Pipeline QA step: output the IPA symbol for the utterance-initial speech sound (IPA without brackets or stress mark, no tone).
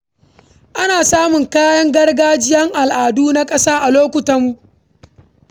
ʔ